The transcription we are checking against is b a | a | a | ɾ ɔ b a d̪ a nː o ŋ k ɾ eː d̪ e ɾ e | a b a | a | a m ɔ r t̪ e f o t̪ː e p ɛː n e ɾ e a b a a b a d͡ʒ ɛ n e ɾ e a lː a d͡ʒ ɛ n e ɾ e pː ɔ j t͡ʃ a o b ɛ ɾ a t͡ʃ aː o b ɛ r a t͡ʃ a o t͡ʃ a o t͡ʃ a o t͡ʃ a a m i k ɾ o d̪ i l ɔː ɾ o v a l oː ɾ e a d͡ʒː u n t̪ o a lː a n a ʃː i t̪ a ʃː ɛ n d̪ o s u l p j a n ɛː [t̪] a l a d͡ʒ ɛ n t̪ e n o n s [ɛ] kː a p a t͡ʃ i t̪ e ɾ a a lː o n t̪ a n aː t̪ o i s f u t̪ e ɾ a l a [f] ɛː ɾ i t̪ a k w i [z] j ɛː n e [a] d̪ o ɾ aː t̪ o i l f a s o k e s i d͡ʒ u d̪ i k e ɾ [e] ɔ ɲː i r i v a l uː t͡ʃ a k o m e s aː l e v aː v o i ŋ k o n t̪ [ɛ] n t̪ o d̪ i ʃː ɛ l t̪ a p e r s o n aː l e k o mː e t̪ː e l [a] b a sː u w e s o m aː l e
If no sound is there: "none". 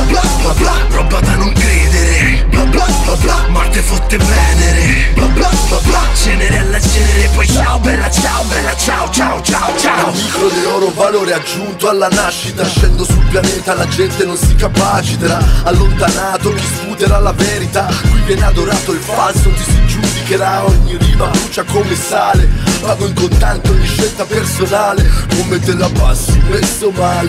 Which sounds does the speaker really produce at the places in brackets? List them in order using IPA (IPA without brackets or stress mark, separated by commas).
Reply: t̪, i, v, v, a, a, a, a